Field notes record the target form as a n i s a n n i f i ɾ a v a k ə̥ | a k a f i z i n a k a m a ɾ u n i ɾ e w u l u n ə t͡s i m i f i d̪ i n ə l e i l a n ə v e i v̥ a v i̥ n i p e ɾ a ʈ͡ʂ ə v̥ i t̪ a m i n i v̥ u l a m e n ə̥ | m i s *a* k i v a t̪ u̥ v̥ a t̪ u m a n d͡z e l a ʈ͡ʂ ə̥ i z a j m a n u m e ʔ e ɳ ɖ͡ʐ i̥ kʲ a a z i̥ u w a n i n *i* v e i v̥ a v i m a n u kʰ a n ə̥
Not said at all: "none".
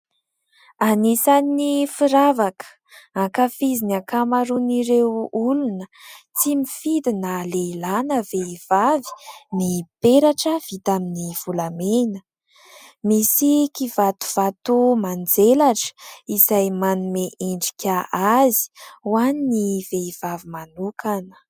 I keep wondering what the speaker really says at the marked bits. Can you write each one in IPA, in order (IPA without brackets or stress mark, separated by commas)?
i, i